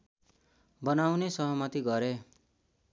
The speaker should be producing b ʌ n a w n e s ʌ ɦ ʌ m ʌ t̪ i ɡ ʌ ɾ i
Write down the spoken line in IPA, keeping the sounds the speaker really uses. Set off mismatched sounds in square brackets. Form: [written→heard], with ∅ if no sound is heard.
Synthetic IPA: b ʌ n a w n e s ʌ ɦ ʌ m ʌ t̪ i ɡ ʌ ɾ [i→e]